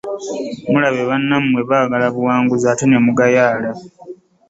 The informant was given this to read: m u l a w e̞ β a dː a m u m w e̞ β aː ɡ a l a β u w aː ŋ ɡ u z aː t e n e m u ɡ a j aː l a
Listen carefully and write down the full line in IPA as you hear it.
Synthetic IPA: m u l a β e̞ β a nː a m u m w e̞ β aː ɡ a l a β u w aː ŋ ɡ u z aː t e n e m u ɡ a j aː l a